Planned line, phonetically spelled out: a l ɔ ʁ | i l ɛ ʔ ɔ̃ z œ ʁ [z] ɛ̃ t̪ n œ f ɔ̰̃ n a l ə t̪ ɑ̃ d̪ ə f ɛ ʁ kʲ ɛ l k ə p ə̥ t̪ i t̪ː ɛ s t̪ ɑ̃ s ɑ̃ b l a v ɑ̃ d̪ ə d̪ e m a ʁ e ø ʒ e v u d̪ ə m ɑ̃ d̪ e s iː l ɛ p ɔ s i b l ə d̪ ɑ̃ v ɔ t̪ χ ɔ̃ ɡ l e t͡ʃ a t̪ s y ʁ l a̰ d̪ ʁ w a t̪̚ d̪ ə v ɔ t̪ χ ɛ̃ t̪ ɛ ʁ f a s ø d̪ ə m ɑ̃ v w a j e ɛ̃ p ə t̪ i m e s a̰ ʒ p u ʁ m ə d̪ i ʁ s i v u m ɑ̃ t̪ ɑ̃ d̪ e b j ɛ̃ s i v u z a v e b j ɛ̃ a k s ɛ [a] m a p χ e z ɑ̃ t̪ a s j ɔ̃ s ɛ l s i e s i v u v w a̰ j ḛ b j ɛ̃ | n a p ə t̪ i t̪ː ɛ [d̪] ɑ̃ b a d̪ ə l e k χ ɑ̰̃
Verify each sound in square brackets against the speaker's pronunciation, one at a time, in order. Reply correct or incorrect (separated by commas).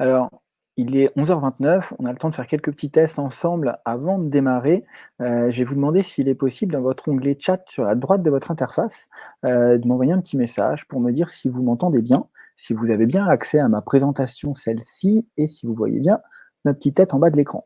incorrect, correct, incorrect